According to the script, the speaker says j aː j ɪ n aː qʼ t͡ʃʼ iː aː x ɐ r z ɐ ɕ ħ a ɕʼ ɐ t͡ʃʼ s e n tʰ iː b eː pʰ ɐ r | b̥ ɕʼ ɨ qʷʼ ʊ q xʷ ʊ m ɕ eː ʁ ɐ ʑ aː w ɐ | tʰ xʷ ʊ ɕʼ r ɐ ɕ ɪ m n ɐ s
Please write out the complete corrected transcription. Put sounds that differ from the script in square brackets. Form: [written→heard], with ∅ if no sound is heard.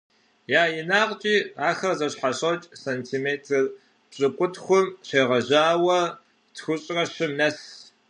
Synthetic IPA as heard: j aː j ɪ n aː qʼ t͡ʃʼ iː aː x ɐ r z ɐ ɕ ħ a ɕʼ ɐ t͡ʃʼ s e n tʰ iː [b→m] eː [pʰ→tʰ] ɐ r | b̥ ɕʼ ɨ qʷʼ ʊ [q→t] xʷ ʊ m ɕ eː ʁ ɐ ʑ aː w ɐ | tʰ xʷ ʊ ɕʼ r ɐ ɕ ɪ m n ɐ s